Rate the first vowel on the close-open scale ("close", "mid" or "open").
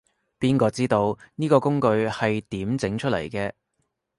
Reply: close